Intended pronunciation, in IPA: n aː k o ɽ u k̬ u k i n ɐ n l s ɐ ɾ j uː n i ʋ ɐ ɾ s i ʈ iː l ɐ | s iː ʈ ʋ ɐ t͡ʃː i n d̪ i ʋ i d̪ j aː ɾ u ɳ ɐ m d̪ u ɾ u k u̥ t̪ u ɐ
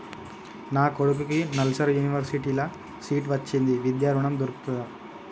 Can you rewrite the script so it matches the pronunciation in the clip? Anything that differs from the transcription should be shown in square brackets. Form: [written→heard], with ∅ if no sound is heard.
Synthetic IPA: n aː k o ɽ u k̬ u k i n ɐ [n→∅] l s ɐ ɾ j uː n i ʋ ɐ ɾ s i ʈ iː l ɐ | s iː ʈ ʋ ɐ t͡ʃː i n d̪ i ʋ i d̪ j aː ɾ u ɳ ɐ m d̪ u ɾ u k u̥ t̪ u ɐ